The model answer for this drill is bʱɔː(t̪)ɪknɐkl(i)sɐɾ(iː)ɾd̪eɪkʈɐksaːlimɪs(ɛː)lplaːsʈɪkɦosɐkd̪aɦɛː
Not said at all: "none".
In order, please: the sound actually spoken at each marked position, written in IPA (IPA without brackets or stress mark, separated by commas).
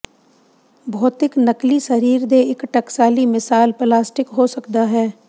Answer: t̪, i, iː, aː